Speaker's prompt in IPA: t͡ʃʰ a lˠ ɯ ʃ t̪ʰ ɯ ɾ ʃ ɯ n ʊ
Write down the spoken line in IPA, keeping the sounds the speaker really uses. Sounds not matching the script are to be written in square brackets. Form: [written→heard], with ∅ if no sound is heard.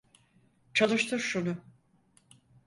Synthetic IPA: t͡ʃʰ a lˠ ɯ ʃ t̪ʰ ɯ ɾ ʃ [ɯ→u] n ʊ